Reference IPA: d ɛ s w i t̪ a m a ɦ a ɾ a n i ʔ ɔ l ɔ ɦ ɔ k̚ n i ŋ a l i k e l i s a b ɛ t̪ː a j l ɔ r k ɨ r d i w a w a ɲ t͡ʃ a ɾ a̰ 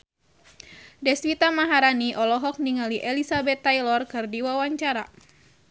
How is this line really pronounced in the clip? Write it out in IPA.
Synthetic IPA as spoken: d ɛ s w i t̪ a m a ɦ a ɾ a n i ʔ ɔ l ɔ ɦ ɔ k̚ n i ŋ a l i ʔ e l i s a b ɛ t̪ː a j l ɔ r k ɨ r d i w a w a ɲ t͡ʃ a ɾ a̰